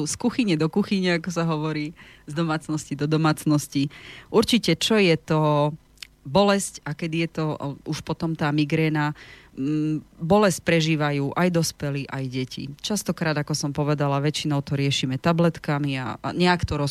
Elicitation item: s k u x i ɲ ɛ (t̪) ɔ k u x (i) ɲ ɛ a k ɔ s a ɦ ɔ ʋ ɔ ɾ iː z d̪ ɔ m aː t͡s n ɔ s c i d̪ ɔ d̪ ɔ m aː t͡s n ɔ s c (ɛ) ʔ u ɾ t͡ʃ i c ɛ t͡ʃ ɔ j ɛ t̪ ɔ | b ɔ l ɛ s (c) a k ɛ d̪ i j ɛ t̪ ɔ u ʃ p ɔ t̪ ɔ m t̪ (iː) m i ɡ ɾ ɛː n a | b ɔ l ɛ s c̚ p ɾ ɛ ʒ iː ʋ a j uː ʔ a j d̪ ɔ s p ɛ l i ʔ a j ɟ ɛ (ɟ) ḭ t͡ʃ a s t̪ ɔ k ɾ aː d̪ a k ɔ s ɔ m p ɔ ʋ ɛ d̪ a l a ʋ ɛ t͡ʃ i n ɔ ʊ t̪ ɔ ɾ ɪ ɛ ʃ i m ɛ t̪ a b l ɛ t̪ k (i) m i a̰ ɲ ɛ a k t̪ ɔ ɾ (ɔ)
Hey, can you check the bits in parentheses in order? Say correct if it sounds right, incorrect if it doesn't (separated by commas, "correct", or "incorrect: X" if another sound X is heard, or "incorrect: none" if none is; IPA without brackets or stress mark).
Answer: incorrect: d̪, correct, incorrect: i, correct, incorrect: aː, incorrect: c, incorrect: a, correct